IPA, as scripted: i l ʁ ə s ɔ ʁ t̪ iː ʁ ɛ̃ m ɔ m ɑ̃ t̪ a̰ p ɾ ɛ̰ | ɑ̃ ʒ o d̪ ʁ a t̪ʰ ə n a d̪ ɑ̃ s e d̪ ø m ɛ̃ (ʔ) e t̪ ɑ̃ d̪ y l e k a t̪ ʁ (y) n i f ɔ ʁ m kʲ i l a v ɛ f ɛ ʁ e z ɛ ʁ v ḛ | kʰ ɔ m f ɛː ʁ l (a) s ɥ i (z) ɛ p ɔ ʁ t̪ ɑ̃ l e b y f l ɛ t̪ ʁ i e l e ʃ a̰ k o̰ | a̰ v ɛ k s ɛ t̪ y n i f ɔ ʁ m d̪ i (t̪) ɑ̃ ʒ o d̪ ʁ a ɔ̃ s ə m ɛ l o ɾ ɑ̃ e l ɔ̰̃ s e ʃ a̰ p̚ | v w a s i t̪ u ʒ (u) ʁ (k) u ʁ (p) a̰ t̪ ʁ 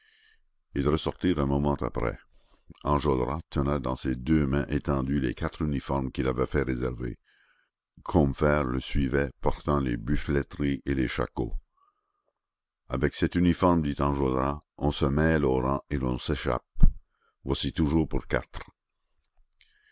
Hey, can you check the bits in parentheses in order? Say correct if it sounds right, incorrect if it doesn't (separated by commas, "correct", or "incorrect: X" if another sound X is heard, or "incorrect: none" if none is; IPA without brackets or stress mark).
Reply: correct, correct, incorrect: ə, incorrect: v, correct, incorrect: uː, incorrect: p, incorrect: k